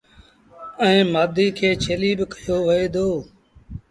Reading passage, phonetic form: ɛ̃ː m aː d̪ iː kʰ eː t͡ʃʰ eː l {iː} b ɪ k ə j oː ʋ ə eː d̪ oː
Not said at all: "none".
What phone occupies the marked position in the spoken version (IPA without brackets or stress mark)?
iː